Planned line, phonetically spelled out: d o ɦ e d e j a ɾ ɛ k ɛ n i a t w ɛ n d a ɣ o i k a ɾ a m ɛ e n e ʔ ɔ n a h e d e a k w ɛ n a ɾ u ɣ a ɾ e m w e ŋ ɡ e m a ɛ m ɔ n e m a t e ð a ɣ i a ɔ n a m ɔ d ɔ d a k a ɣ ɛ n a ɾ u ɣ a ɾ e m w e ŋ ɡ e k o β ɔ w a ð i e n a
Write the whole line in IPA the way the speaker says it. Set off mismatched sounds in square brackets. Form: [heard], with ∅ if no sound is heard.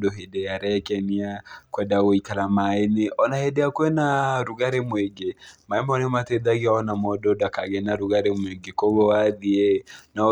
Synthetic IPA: d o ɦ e d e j a ɾ ɛ k ɛ n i a [k] w ɛ n d a ɣ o i k a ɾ a m [a] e n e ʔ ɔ n a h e d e a k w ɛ n a ɾ u ɣ a ɾ e m w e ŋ ɡ e m a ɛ m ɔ n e m a t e ð a ɣ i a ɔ n a m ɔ d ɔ d a k a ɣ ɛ n a ɾ u ɣ a ɾ e m w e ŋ ɡ e k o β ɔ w a ð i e n a